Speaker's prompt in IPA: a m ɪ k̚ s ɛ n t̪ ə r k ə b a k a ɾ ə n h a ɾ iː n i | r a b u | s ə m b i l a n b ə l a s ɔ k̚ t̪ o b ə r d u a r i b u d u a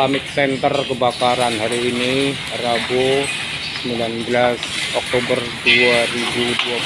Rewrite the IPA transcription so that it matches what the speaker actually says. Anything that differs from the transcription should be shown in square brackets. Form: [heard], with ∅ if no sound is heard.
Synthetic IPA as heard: a m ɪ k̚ s ɛ n t̪ ə r k ə b a k a ɾ [a] n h a ɾ iː n i | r a b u | s ə m b i l a n b ə l a s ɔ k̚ t̪ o b ə r d u a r i b u d u a